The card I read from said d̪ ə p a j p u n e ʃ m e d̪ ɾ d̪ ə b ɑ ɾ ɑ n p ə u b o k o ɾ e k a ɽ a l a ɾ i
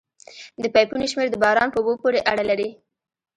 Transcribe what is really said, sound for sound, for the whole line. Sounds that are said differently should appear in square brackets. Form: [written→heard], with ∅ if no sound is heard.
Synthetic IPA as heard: d̪ ə p a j p u n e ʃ m e [d̪→∅] ɾ d̪ ə b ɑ ɾ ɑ n p ə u b o [k→p] o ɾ e [k→ʔ] a ɽ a l a ɾ i